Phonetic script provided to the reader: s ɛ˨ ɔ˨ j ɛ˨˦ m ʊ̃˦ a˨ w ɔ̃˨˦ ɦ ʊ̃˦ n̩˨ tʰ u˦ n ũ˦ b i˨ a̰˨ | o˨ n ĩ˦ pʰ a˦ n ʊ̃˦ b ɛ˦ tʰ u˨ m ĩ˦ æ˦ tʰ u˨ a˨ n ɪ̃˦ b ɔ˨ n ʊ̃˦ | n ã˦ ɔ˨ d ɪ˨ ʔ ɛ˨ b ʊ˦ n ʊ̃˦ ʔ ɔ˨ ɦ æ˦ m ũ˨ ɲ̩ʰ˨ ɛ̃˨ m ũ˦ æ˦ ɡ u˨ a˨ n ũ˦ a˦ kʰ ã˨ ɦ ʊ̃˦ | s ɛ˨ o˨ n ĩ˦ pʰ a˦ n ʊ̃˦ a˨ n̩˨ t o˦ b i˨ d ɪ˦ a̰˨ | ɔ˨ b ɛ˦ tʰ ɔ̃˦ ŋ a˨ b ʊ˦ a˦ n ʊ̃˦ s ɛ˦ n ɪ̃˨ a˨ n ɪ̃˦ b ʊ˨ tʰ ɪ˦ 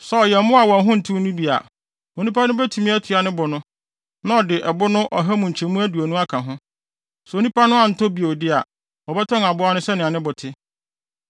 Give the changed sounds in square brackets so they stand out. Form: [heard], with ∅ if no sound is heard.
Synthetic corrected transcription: s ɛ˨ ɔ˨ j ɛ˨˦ m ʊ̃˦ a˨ w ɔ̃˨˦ ɦ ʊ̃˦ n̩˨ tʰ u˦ n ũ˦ b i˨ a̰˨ | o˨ n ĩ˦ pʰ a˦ n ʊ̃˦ b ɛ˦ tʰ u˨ m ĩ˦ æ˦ tʰ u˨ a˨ n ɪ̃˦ b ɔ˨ n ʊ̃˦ | n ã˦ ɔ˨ d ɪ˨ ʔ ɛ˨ b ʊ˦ n ʊ̃˦ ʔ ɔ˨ ɦ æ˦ m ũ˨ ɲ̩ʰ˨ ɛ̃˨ m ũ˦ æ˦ [d] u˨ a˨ n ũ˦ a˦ kʰ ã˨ ɦ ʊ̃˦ | s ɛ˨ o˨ n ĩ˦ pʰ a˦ n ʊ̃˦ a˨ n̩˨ t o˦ b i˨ d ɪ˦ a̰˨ | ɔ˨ b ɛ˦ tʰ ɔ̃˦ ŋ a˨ b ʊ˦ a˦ n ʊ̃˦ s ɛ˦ n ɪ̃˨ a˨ n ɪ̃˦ b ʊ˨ tʰ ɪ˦